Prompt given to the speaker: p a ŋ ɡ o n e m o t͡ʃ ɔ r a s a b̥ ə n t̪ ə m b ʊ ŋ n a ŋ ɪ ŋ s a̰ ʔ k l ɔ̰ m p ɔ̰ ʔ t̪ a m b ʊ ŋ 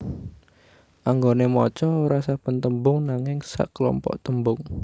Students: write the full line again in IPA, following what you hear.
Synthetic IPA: ʔ a ŋ ɡ o n e m ɔ t͡ʃ ɔ ɾ a s a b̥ ə n t̪ ə m b ʊ ŋ n a ŋ ɪ ŋ s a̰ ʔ k l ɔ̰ m p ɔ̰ ʔ t̪ ə m b ʊ ŋ